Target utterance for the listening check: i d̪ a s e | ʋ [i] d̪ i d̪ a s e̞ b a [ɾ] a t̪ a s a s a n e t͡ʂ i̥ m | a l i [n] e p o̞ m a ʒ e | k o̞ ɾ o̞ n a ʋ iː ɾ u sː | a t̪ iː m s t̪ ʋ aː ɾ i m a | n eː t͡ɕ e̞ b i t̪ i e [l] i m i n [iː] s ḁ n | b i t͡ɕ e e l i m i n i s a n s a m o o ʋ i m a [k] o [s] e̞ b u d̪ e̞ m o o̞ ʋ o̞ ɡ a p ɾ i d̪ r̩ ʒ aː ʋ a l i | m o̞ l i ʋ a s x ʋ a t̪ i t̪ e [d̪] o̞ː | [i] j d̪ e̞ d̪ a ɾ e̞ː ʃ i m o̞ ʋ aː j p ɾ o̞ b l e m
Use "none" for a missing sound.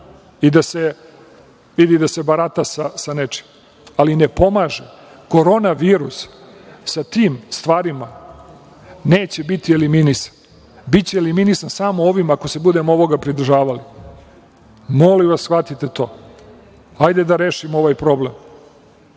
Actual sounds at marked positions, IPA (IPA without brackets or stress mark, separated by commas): i, ɾ, n, l, i, k, s, t̪, a